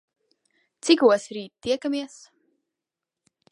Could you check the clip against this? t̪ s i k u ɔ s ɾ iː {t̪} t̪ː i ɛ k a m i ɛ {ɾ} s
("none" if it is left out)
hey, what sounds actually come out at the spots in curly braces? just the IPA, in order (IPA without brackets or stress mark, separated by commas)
t̪, none